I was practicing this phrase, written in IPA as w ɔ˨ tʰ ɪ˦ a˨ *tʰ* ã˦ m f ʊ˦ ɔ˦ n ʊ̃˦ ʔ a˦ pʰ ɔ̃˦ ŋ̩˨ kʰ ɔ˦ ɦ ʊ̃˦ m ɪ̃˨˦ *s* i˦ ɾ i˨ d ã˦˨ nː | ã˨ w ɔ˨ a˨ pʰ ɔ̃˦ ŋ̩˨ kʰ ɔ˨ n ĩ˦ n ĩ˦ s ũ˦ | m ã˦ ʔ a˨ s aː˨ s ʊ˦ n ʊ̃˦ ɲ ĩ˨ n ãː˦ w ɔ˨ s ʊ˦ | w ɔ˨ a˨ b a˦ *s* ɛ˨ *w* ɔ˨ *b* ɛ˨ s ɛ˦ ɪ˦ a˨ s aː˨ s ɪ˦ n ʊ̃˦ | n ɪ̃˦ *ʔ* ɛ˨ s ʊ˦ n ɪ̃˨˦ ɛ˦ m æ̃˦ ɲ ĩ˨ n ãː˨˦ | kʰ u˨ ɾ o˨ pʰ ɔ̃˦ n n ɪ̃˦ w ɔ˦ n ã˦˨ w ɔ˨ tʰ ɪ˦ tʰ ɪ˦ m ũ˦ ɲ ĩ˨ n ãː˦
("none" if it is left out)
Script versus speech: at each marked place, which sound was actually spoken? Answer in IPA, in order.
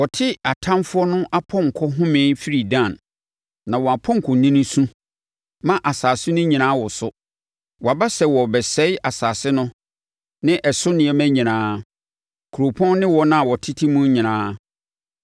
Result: tʰ, f, s, w, b, ʔ

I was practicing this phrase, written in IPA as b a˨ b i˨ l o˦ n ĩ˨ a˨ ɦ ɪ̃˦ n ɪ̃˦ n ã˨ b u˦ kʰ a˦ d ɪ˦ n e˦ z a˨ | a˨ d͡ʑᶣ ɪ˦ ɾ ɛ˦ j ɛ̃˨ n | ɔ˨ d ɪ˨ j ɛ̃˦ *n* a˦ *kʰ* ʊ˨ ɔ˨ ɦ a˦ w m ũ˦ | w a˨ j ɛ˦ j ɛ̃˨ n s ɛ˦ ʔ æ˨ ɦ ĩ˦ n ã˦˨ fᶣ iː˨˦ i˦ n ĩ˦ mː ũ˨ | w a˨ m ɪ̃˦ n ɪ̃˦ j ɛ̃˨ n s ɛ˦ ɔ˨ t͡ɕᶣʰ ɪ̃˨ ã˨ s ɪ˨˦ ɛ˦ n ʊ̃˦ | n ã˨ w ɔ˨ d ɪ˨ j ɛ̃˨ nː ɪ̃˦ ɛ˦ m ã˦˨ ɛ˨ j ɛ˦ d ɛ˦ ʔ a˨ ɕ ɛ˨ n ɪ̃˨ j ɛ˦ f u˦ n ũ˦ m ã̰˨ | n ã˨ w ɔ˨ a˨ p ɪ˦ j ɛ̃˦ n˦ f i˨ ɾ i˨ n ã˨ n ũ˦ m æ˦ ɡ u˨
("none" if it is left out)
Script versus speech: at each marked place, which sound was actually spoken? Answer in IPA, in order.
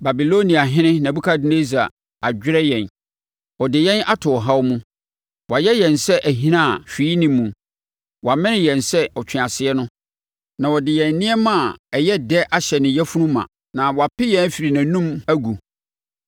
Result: n, tʰ

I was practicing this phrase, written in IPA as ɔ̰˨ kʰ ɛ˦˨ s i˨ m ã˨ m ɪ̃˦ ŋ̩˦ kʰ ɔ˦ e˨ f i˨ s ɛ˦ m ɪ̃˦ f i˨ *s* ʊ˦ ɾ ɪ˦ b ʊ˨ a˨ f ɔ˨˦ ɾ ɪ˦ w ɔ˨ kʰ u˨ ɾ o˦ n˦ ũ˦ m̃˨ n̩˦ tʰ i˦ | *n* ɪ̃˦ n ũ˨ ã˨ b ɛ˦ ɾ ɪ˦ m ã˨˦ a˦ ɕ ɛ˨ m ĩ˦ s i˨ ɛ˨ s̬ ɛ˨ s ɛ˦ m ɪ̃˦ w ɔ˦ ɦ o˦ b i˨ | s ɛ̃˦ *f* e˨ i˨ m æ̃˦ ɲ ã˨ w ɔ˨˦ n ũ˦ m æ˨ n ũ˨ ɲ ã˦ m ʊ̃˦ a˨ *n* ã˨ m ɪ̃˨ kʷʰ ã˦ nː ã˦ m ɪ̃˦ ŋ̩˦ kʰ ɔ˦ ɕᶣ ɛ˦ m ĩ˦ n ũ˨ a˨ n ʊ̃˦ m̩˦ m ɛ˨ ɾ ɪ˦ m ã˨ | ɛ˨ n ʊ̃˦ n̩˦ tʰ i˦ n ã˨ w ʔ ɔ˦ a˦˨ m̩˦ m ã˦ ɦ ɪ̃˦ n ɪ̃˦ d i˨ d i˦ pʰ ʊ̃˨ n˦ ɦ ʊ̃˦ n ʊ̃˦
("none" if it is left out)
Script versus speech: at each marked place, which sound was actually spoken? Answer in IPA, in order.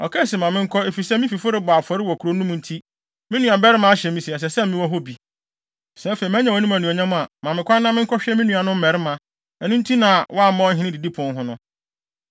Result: f, m, f, m

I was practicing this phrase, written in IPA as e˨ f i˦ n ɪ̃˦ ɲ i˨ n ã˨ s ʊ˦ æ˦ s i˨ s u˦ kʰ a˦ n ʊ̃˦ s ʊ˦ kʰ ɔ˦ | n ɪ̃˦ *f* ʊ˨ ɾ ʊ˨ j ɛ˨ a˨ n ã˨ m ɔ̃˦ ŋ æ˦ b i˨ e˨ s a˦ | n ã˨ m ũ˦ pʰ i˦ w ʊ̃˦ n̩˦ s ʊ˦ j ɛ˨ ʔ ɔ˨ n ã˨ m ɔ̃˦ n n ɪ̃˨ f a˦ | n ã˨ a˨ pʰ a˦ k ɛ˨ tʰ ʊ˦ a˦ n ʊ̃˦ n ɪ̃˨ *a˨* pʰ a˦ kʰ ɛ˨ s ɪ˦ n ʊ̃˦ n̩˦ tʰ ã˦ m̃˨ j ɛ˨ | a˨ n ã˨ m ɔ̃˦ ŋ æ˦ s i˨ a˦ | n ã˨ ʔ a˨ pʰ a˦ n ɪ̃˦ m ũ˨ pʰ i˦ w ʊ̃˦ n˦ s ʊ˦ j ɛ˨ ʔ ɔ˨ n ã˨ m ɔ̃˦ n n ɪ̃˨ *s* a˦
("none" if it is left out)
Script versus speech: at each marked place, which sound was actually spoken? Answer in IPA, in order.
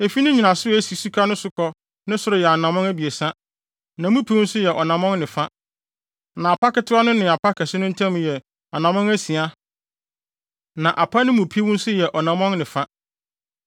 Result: s, a˨, f

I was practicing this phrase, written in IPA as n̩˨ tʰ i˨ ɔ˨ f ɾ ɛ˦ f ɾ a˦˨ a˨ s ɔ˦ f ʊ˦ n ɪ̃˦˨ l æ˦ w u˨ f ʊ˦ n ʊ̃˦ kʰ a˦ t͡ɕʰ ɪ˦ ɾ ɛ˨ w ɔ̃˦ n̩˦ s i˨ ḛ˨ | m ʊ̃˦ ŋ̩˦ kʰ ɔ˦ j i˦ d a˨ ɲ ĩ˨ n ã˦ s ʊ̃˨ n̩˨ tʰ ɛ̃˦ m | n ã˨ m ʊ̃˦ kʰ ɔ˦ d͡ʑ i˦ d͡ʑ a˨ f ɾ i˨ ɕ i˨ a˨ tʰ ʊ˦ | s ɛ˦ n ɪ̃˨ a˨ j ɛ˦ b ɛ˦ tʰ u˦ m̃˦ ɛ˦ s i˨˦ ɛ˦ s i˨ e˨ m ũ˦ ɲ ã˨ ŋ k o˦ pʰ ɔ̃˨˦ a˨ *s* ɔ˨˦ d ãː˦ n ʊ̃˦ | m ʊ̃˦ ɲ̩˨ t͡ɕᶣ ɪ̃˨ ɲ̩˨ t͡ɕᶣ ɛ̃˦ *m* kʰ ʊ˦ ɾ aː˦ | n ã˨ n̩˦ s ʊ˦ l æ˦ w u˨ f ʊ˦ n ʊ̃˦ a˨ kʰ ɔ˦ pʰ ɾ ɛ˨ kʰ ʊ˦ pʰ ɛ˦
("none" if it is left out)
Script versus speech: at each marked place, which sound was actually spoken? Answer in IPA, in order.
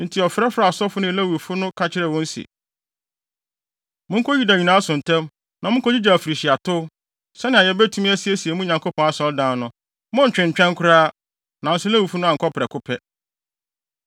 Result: s, ŋ

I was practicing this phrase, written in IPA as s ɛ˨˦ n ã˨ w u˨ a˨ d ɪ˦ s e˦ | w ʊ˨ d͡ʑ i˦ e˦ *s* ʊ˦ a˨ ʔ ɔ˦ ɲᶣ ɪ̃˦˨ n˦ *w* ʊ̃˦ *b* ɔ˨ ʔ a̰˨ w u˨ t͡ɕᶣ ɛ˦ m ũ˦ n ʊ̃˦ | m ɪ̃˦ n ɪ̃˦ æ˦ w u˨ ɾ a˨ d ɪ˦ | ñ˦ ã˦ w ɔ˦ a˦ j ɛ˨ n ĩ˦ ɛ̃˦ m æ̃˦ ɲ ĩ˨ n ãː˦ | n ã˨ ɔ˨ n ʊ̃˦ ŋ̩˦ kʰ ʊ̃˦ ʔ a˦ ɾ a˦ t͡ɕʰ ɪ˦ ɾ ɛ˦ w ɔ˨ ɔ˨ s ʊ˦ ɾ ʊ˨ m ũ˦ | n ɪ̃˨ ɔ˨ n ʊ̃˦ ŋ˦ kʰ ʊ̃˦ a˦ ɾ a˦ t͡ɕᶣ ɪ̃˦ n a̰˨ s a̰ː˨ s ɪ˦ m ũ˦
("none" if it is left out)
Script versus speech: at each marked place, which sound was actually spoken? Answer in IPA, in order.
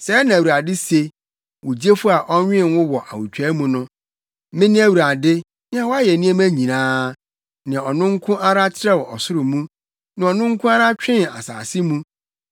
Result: f, w, w

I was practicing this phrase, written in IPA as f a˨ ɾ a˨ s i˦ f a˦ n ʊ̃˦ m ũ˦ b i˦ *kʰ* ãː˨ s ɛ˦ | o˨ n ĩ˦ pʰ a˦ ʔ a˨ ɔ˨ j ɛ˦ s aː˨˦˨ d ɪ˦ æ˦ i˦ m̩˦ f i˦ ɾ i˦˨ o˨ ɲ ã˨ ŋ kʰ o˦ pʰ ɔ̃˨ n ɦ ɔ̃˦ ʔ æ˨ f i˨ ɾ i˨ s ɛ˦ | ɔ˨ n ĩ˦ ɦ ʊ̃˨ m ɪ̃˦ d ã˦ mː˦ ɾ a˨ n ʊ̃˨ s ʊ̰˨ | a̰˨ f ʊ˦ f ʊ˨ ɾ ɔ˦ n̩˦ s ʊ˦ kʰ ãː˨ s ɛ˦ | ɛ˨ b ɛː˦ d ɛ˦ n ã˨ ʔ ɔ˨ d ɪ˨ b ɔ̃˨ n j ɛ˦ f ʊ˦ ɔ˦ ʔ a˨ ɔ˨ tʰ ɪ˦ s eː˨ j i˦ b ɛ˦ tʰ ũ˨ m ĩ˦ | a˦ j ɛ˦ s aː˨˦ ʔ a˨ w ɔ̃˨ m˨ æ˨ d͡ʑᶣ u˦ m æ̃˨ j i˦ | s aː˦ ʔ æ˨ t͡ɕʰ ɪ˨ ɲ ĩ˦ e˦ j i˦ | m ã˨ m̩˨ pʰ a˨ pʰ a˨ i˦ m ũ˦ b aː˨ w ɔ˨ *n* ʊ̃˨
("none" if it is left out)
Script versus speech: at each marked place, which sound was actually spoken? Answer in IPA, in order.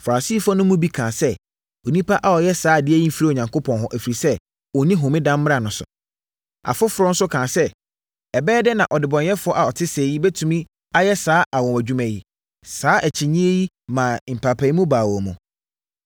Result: kʰ, m

